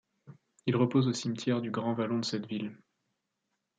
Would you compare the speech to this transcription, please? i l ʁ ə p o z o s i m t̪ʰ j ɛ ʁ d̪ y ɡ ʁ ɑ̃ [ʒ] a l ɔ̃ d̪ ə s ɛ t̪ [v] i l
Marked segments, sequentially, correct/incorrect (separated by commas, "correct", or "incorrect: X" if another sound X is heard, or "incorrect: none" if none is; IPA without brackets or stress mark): incorrect: v, correct